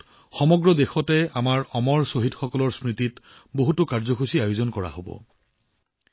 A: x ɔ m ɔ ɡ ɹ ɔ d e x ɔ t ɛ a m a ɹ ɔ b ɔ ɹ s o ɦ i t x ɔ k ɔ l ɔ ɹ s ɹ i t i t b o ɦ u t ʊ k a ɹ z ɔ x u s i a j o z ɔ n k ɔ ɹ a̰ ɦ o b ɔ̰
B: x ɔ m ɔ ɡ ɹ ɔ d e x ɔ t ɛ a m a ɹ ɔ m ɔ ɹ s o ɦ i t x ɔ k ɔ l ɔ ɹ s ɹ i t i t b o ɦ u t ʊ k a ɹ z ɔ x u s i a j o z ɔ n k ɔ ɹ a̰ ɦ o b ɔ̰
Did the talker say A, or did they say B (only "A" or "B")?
B